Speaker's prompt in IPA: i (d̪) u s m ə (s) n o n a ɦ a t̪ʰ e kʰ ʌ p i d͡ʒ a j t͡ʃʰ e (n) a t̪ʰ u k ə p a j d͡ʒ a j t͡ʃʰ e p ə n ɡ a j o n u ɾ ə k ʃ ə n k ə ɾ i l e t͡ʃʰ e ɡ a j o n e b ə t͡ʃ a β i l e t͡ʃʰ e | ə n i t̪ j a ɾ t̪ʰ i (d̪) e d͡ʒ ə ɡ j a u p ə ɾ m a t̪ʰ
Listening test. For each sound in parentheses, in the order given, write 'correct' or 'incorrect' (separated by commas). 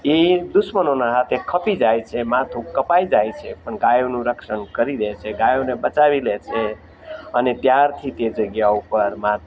correct, incorrect, incorrect, incorrect